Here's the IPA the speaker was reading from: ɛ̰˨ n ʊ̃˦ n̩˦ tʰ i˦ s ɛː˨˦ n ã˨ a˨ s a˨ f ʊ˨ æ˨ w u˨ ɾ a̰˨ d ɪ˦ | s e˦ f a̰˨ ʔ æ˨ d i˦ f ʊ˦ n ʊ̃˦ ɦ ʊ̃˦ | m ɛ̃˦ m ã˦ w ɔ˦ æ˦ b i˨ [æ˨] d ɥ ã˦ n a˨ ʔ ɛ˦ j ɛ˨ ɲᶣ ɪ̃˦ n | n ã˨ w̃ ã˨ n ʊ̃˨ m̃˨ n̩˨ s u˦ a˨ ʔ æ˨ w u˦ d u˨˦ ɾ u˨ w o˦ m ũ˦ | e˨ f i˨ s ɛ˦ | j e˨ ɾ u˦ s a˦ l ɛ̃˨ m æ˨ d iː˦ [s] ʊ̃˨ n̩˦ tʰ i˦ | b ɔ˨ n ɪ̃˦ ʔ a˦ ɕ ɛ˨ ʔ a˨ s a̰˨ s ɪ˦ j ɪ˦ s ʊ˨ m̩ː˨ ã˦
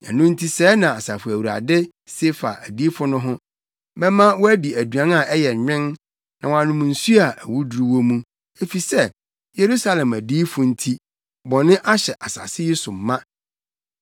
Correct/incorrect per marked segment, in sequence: correct, incorrect

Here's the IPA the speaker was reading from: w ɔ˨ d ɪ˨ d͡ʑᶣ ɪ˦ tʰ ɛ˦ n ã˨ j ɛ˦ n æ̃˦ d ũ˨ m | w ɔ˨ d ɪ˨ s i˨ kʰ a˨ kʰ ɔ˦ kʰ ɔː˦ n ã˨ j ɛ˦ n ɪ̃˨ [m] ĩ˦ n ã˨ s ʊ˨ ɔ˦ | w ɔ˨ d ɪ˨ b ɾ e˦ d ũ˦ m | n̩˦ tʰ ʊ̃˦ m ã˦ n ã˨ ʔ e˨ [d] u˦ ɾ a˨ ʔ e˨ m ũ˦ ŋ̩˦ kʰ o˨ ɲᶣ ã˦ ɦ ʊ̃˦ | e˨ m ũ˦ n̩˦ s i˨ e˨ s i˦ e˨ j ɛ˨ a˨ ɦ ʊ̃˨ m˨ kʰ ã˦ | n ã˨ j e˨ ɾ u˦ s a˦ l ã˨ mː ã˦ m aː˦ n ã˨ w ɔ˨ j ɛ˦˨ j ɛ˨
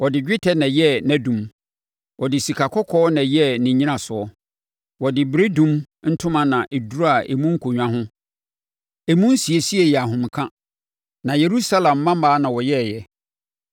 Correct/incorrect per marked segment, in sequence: incorrect, correct

